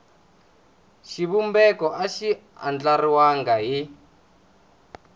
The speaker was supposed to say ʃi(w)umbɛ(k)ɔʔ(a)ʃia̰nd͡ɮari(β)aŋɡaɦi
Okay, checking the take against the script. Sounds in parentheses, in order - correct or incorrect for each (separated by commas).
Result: incorrect, correct, correct, incorrect